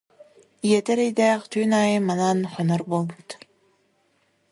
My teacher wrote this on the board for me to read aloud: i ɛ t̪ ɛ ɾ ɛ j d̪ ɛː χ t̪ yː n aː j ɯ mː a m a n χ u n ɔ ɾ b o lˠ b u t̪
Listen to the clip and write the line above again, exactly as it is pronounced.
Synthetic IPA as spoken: i ɛ t̪ ɛ ɾ ɛ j d̪ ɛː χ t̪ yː n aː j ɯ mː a n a n χ ɔ n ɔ ɾ b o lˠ b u t̪